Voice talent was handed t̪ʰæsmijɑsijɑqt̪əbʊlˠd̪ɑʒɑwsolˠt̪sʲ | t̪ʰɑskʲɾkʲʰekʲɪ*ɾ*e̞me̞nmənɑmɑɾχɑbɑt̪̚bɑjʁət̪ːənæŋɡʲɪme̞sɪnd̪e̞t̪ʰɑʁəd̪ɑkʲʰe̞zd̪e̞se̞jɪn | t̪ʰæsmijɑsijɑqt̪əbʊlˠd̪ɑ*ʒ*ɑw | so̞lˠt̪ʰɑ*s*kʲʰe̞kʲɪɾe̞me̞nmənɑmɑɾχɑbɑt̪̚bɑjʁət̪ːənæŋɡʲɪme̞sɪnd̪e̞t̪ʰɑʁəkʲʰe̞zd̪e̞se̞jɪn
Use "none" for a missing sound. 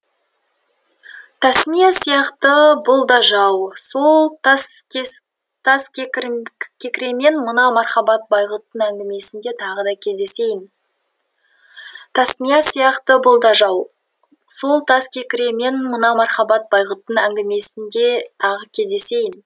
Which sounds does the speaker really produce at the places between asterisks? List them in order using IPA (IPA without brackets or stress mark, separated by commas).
ɾ, ʒ, s